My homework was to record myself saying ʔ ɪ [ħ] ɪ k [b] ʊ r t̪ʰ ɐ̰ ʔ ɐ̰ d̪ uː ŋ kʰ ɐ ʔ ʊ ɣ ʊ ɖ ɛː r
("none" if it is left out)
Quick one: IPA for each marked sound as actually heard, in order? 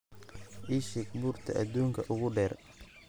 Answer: ʃ, b

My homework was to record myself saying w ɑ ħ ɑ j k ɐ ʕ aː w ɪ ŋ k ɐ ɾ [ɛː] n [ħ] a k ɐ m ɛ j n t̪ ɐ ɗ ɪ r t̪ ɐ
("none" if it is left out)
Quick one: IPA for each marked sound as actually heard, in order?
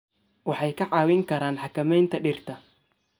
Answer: aː, ħ

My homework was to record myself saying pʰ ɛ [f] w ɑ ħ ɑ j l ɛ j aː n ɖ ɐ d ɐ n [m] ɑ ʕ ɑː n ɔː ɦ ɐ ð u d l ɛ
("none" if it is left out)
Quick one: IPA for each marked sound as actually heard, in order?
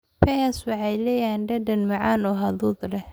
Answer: s, m

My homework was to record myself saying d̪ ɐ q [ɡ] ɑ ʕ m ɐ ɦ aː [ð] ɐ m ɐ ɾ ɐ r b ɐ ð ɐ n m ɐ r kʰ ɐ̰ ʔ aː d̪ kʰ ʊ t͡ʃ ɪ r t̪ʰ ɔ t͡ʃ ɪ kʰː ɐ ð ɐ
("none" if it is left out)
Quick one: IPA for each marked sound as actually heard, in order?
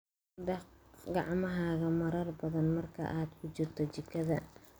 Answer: ɡ, ɣ

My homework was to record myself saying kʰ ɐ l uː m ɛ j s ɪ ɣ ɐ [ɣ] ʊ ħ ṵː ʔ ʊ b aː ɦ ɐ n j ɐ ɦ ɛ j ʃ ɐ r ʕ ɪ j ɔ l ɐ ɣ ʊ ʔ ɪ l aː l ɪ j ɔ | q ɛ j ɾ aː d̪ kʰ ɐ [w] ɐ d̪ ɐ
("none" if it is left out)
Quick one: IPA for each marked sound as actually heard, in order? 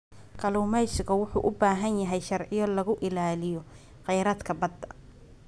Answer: w, b

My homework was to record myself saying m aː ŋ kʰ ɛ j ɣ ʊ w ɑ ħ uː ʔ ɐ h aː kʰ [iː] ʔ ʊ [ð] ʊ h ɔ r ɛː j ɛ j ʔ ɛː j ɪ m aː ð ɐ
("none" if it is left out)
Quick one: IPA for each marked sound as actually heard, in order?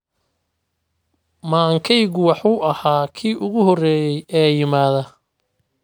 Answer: iː, ɣ

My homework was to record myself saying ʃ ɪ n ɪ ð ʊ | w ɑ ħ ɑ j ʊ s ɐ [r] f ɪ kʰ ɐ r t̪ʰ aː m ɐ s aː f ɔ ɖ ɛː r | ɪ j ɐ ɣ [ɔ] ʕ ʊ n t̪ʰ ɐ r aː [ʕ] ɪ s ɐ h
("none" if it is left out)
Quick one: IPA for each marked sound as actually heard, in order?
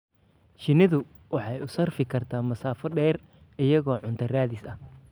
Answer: r, ɔː, ð

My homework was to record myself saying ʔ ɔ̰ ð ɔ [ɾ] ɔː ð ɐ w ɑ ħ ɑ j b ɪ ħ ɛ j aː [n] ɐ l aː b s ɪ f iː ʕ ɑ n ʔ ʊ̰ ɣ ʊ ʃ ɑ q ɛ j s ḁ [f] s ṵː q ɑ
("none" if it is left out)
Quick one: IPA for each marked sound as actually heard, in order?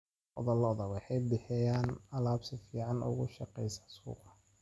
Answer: l, n, none

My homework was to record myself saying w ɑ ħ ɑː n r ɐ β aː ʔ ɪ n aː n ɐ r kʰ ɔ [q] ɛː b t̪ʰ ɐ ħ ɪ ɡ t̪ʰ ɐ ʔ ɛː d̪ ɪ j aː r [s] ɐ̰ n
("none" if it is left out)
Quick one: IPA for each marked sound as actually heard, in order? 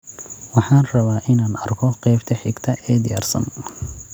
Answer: q, s

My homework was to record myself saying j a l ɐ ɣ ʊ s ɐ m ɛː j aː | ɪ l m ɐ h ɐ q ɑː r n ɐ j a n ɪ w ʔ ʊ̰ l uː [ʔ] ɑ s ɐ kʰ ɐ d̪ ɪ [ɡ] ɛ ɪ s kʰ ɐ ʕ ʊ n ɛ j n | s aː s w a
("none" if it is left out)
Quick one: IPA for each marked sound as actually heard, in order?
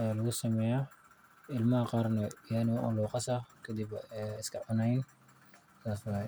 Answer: q, b

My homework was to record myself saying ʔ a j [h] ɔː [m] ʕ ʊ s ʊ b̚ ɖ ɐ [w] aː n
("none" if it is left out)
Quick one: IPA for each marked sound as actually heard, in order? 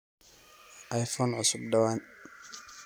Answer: f, n, w

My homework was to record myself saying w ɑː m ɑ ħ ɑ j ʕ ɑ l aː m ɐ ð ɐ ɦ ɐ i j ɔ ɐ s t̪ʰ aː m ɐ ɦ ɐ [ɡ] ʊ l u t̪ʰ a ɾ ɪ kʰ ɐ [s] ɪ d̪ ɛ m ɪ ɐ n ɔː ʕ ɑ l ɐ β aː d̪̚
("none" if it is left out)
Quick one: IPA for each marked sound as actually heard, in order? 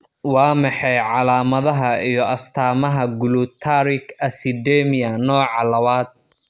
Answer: ɡ, s

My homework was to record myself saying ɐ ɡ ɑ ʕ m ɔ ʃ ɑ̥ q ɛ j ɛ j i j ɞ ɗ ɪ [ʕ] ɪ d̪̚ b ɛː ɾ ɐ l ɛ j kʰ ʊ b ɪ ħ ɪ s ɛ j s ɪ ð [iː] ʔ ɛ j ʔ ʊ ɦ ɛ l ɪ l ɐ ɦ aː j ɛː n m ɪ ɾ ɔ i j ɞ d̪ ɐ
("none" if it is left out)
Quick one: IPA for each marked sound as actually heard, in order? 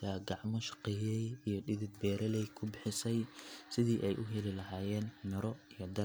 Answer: ð, iː

